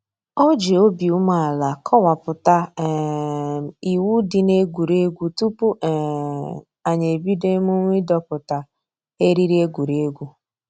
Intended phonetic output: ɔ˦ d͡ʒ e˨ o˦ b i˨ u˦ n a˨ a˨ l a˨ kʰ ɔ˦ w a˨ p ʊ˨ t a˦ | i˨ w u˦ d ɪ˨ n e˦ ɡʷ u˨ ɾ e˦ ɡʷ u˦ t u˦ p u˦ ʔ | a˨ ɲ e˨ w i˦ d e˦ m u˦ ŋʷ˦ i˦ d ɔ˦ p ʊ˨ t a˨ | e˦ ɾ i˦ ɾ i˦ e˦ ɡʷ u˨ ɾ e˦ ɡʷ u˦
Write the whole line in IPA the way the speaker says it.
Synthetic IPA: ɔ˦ d͡ʒ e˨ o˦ b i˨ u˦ m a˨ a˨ l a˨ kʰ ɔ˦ w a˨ p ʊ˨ t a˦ | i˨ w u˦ d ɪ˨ n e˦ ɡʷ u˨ ɾ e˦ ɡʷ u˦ t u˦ p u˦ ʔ | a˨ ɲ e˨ b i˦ d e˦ m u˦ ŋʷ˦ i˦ d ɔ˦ p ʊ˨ t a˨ | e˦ ɾ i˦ ɾ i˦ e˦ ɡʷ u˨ ɾ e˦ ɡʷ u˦

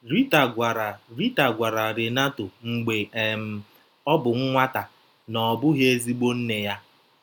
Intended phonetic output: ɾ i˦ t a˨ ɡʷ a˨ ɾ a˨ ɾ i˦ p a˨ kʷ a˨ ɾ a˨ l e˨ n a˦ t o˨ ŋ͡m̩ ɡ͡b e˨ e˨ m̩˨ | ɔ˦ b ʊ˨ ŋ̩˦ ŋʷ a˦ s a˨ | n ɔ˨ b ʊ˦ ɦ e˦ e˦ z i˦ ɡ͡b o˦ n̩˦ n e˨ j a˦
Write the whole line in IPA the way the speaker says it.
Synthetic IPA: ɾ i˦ t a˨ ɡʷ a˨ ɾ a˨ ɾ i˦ t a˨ ɡʷ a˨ ɾ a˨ ɾ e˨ n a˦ t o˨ ŋ͡m̩ ɡ͡b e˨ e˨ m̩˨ | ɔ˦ b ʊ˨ ŋ̩˦ ŋʷ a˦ t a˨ | n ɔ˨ b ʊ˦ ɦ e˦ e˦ z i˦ ɡ͡b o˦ n̩˦ n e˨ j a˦

